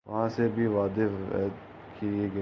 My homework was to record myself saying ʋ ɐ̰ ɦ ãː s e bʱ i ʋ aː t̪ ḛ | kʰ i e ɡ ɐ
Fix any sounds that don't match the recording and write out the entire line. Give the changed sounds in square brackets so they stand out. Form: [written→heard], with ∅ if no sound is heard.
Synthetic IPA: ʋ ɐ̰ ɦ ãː s e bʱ i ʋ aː [t̪→d̪] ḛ | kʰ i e ɡ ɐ